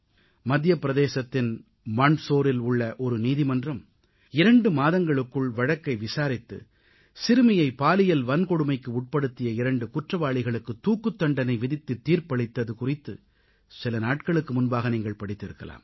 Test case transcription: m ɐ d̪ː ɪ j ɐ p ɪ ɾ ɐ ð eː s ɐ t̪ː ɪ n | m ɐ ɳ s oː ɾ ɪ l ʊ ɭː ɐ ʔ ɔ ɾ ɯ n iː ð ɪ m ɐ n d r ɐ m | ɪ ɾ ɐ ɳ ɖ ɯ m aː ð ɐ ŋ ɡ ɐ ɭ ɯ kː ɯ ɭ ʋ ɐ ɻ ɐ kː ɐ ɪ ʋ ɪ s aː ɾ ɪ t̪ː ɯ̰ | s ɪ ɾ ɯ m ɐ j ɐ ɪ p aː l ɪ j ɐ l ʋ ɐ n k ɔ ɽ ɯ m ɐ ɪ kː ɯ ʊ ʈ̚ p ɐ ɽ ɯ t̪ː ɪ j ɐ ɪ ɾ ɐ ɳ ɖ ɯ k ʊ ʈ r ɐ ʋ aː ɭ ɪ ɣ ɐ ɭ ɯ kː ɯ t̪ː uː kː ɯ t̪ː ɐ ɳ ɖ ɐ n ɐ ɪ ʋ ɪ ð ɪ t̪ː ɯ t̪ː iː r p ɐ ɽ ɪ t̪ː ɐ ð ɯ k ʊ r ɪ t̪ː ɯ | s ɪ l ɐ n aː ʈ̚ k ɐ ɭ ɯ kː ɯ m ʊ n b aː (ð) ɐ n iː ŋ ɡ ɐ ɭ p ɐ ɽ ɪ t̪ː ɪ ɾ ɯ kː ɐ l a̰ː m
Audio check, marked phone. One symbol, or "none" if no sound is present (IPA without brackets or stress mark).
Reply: ɣ